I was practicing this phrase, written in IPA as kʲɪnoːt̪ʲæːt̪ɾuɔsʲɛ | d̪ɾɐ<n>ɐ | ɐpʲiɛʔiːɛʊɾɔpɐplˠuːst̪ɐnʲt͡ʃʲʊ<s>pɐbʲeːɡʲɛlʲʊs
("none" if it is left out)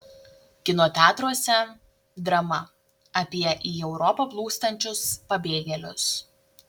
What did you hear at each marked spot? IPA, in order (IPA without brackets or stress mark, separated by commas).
m, s